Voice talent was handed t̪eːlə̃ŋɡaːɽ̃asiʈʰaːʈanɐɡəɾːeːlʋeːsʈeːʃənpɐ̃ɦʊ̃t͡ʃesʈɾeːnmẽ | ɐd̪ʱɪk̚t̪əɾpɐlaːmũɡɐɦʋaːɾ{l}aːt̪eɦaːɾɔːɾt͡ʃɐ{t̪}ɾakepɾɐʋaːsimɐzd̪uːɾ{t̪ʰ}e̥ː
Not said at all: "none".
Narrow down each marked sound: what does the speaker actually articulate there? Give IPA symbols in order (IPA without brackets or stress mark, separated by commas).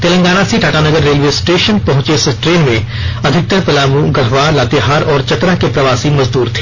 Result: l, t̪, t̪ʰ